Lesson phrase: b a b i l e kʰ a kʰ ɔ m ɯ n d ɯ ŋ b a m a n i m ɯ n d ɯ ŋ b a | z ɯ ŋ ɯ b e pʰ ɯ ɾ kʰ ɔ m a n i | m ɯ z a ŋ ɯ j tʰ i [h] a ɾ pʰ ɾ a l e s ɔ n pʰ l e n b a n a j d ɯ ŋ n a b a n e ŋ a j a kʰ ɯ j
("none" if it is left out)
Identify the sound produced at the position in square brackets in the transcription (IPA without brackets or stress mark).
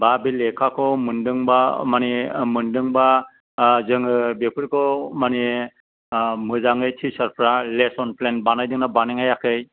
s